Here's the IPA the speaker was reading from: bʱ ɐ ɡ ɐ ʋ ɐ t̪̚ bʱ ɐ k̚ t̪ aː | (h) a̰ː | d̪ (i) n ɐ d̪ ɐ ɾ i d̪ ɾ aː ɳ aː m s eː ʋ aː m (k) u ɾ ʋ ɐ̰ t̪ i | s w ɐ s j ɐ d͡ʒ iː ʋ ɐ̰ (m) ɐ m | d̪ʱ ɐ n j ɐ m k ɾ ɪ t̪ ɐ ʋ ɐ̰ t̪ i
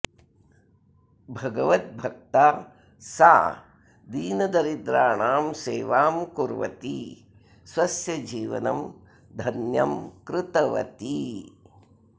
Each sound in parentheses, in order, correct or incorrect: incorrect, incorrect, correct, incorrect

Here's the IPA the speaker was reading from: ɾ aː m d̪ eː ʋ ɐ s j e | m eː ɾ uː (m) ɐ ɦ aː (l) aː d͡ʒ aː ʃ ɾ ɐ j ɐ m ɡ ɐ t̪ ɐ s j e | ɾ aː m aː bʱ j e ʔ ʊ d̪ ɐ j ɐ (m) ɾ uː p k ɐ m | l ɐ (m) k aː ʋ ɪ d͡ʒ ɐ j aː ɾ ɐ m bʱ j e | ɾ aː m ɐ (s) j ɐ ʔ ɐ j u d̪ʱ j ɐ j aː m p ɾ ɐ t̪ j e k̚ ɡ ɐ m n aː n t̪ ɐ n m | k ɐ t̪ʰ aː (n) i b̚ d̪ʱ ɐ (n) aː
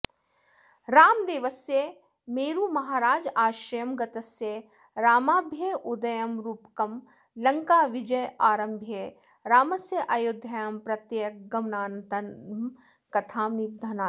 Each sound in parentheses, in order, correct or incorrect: correct, incorrect, correct, incorrect, correct, incorrect, correct

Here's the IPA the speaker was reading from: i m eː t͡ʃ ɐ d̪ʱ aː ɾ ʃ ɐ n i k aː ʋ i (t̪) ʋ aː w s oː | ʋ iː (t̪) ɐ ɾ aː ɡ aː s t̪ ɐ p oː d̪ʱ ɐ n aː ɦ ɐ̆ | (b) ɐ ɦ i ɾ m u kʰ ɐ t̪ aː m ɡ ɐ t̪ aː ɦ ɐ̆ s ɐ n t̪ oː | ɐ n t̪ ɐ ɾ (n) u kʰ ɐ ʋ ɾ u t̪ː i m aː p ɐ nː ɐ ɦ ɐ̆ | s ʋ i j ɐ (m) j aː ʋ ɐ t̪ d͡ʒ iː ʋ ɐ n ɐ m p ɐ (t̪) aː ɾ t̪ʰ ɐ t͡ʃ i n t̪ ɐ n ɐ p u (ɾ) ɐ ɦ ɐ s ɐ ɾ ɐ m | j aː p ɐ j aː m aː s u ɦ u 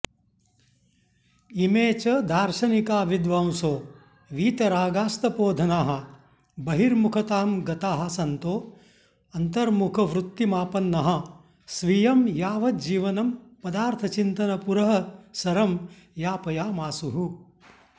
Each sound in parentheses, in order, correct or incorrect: incorrect, correct, correct, incorrect, correct, incorrect, correct

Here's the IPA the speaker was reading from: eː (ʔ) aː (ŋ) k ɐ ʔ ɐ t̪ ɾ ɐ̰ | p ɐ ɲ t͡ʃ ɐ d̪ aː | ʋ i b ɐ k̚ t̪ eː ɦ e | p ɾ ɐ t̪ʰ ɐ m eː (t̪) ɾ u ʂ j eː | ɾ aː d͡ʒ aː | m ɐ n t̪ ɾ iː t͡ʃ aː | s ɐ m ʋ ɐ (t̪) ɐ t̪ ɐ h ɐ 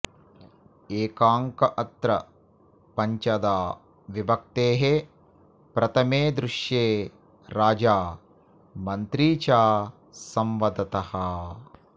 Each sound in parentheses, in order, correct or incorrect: incorrect, correct, incorrect, incorrect

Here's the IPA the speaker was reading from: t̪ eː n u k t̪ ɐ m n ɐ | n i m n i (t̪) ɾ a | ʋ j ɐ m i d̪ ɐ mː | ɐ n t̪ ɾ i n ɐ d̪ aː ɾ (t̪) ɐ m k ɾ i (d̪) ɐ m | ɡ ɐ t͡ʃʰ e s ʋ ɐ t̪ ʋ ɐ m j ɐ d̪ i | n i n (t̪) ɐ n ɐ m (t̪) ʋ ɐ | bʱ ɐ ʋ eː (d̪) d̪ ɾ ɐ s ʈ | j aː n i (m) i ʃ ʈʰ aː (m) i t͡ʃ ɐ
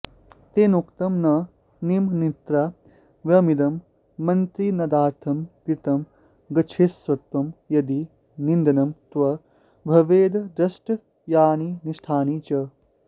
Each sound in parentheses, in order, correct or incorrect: correct, incorrect, incorrect, incorrect, correct, correct, incorrect, incorrect

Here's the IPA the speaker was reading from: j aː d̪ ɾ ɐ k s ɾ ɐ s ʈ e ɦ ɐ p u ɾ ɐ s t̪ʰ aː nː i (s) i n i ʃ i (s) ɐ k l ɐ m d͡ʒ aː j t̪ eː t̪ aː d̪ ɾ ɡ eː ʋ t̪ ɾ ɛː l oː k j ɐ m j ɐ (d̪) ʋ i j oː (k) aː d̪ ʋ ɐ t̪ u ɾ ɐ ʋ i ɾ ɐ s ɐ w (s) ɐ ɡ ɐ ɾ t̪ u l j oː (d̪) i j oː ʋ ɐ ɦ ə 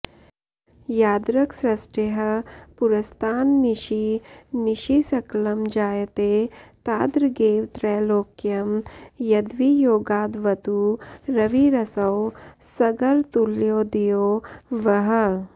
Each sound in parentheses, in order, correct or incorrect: incorrect, correct, correct, incorrect, correct, correct

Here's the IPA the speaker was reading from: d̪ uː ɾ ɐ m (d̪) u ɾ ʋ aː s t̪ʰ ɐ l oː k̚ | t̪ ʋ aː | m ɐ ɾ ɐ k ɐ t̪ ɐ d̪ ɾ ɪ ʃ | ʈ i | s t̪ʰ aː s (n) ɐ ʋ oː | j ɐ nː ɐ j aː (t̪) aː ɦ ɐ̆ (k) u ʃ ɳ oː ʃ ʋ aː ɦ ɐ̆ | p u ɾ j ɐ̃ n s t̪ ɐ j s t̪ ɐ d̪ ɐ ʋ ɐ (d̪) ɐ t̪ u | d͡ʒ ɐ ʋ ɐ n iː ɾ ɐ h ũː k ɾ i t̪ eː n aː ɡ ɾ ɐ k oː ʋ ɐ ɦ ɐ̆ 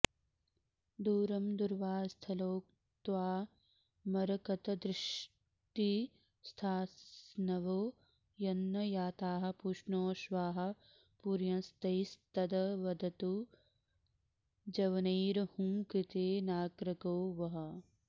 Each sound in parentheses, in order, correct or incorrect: correct, correct, correct, incorrect, correct

